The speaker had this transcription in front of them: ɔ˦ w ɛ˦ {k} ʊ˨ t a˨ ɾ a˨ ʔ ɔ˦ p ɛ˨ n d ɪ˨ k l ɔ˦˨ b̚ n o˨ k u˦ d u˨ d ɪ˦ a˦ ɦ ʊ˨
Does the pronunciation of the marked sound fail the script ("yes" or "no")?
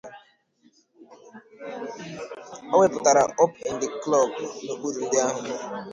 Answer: yes